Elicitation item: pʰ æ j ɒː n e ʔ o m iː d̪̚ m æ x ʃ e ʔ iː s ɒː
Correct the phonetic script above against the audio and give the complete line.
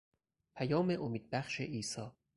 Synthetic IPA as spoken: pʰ æ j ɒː m e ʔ o m iː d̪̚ b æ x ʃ e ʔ iː s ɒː